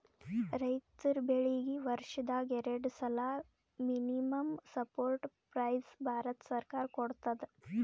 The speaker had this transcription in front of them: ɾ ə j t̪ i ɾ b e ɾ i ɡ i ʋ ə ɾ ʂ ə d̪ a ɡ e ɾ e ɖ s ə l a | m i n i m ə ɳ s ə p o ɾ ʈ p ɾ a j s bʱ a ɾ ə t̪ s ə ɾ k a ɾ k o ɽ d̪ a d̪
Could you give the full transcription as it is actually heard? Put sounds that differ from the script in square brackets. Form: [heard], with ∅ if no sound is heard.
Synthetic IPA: ɾ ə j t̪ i ɾ b e [ɭ] i ɡ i ʋ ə ɾ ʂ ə d̪ a ɡ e ɾ e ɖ s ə l a | m i n i m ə [m] s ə p o ɾ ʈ p ɾ a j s bʱ a ɾ ə t̪ s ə ɾ k a ɾ k o ɽ [t̪] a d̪